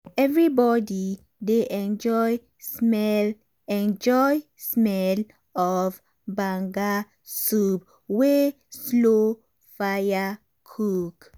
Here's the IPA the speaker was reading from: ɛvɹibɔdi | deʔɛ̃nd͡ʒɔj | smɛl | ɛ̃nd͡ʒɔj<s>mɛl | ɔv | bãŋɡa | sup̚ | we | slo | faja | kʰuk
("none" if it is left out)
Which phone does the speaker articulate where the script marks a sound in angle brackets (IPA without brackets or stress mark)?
s